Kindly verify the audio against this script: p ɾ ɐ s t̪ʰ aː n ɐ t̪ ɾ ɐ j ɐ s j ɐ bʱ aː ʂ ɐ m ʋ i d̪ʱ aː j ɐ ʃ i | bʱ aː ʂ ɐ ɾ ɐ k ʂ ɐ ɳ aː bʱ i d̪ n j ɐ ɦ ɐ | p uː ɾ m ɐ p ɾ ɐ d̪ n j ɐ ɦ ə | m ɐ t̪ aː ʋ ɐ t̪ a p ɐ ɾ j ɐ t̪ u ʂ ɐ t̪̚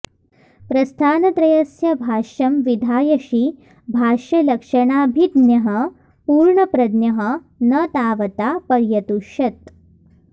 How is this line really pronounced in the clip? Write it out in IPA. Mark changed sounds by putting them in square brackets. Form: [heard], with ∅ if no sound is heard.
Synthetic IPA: p ɾ ɐ s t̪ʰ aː n ɐ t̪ ɾ ɐ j ɐ s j ɐ bʱ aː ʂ ɐ m ʋ i d̪ʱ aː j ɐ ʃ i | bʱ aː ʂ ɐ [l] ɐ k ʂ ɐ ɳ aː bʱ i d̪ n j ɐ ɦ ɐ | p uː ɾ [ɳ] ɐ p ɾ ɐ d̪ n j ɐ ɦ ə | [n] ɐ t̪ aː ʋ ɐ t̪ a p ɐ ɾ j ɐ t̪ u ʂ ɐ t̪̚